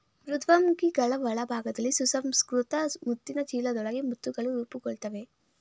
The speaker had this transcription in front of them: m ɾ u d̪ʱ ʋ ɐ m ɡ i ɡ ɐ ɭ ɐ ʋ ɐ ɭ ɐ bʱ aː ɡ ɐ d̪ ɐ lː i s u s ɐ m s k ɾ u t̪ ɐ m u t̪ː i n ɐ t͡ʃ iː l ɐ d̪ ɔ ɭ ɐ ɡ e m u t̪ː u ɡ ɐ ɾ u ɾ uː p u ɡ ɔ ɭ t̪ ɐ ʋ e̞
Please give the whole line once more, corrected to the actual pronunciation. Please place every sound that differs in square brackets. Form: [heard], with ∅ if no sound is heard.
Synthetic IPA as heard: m ɾ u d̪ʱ ʋ ɐ m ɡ i ɡ ɐ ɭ ɐ ʋ ɐ ɭ ɐ bʱ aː ɡ ɐ d̪ ɐ lː i s u s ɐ m s k ɾ u t̪ ɐ m u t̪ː i n ɐ t͡ʃ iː l ɐ d̪ ɔ ɭ ɐ ɡ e m u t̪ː u ɡ ɐ [ɭ] u ɾ uː p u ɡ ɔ ɭ t̪ ɐ ʋ e̞